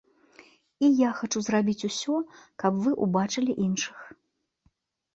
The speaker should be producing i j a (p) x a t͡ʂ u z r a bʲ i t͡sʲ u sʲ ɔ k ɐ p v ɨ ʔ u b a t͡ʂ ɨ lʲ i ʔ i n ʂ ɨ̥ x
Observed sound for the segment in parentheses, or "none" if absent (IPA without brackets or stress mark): none